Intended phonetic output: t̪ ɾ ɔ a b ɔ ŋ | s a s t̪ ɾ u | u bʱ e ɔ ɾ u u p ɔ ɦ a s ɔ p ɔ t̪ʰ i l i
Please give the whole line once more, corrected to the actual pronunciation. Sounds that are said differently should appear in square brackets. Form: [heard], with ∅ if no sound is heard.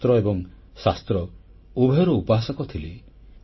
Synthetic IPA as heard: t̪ ɾ ɔ [e] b ɔ ŋ | s a s t̪ ɾ [ɔ] | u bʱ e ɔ ɾ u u p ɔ ɦ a s ɔ [k] ɔ t̪ʰ i l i

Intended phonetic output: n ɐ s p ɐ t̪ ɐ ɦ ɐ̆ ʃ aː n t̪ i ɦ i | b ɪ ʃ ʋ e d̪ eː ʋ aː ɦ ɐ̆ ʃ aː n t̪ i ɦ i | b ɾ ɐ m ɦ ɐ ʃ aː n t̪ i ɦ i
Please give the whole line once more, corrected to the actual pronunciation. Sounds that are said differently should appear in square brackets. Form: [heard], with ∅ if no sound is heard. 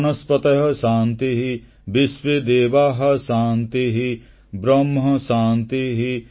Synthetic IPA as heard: n ɐ s p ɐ t̪ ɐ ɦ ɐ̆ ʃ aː n t̪ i ɦ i | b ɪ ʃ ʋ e d̪ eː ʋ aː ɦ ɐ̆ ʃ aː n t̪ i ɦ i | b ɾ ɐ m ɦ ɐ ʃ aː n t̪ i ɦ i

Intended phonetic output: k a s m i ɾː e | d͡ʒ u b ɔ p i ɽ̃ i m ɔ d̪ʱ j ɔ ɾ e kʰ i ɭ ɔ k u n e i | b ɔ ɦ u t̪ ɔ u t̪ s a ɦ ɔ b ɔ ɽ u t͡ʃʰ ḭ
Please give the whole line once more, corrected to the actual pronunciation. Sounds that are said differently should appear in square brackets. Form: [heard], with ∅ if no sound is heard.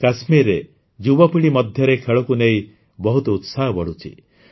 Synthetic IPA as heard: k a s m i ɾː e | d͡ʒ u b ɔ p i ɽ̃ i m ɔ d̪ʱ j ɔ ɾ e kʰ [e] ɭ ɔ k u n e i | b ɔ ɦ u t̪ ɔ u t̪ s a ɦ ɔ b ɔ ɽ u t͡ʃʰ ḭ

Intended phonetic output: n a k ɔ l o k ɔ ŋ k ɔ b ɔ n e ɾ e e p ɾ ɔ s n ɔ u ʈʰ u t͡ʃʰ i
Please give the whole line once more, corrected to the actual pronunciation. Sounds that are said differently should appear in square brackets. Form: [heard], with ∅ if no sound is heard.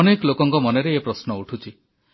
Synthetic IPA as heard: n [e] k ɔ l o k ɔ ŋ k ɔ [m] ɔ n e ɾ e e p ɾ ɔ s n ɔ u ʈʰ u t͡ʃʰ i

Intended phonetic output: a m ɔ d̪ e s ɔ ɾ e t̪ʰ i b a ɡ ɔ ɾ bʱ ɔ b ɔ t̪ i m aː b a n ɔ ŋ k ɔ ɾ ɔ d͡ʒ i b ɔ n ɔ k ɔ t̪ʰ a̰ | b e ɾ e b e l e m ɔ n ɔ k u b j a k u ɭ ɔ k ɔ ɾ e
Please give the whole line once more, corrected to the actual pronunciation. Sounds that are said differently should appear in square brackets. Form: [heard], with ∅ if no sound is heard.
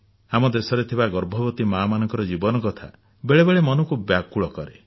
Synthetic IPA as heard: a m ɔ d̪ e s ɔ ɾ e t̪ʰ i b a ɡ ɔ ɾ bʱ ɔ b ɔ t̪ i m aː [m] a n ɔ ŋ k ɔ ɾ ɔ d͡ʒ i b ɔ n ɔ k ɔ t̪ʰ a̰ | b e [ɭ] e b e [ɭ] e m ɔ n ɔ k u b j a k u ɭ ɔ k ɔ ɾ e

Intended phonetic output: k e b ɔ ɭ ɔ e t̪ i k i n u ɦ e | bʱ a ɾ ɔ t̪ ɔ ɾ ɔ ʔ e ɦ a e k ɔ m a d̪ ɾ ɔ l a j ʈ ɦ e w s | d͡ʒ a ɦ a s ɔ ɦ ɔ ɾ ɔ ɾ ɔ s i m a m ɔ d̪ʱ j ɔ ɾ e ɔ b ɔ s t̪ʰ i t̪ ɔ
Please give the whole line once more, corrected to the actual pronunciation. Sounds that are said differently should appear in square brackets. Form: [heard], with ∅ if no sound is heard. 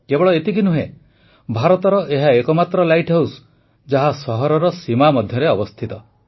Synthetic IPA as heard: k e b ɔ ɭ ɔ e t̪ i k i n u ɦ e | bʱ a ɾ ɔ t̪ ɔ ɾ ɔ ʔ e ɦ a e k ɔ m a [t̪] ɾ ɔ l a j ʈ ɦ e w s | d͡ʒ a ɦ a s ɔ ɦ ɔ ɾ ɔ ɾ ɔ s i m a m ɔ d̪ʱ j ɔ ɾ e ɔ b ɔ s t̪ʰ i t̪ ɔ

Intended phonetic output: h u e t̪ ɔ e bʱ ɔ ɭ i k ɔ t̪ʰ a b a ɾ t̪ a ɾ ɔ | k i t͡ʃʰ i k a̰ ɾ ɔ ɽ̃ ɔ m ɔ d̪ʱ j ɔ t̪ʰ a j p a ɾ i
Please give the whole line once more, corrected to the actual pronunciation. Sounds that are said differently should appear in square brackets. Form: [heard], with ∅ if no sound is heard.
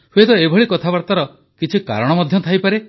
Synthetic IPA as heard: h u e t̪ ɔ e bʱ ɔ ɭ i k ɔ t̪ʰ a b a ɾ t̪ a ɾ ɔ | k i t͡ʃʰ i k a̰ ɾ ɔ ɽ̃ ɔ m ɔ d̪ʱ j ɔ t̪ʰ a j p a ɾ [e]

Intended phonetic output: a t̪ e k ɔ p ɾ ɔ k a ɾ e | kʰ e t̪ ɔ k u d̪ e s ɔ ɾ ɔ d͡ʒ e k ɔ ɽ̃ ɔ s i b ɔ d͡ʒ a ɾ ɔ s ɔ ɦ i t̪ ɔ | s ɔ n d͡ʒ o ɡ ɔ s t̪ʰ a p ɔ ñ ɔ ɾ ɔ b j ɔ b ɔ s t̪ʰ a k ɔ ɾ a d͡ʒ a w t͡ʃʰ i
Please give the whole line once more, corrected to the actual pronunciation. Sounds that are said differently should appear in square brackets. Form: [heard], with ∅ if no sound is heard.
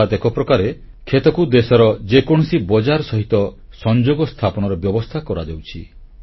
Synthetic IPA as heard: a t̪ e k ɔ p ɾ ɔ k a ɾ e | kʰ e t̪ ɔ k u d̪ e s ɔ ɾ ɔ d͡ʒ e k ɔ ɽ̃ ɔ s i b ɔ d͡ʒ a ɾ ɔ s ɔ ɦ i t̪ ɔ | s ɔ n d͡ʒ o ɡ ɔ s t̪ʰ a p ɔ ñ ɔ ɾ ɔ b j ɔ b ɔ s t̪ʰ a k ɔ ɾ a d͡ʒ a w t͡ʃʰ i

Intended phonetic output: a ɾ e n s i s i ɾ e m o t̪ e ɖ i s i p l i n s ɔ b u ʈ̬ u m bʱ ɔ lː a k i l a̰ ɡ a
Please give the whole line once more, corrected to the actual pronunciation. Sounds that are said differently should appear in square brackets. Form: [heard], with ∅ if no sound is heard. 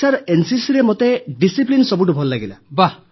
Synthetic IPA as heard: a ɾ e n s i s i ɾ e m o t̪ e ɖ i s i p l i n s ɔ b u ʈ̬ u [∅] bʱ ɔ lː a [ɡ] i l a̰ [b] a

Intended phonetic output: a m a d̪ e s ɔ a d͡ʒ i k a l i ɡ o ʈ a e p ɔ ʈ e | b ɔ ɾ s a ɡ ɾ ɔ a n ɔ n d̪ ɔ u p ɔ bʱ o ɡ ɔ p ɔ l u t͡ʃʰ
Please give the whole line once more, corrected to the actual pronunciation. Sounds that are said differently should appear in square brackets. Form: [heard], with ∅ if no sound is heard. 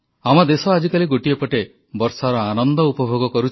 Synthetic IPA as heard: a m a d̪ e s ɔ a d͡ʒ i k a l i ɡ o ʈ [i] e p ɔ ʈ e | b ɔ ɾ s a [∅] ɾ ɔ a n ɔ n d̪ ɔ u p ɔ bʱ o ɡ ɔ [k] ɔ [ɾ] u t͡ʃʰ

